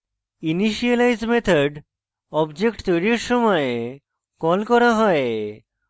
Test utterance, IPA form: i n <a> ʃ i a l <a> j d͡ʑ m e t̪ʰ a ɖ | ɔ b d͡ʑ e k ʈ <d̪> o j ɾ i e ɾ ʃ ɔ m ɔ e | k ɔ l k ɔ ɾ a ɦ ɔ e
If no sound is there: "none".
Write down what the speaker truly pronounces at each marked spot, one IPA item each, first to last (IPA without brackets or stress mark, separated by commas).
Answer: i, a, t̪